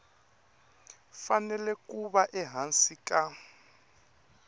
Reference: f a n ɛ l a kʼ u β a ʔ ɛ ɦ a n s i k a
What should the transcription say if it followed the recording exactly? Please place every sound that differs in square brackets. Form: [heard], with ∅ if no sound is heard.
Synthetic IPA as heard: f a n ɛ l [ɛ] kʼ u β a ʔ ɛ ɦ a n s i k a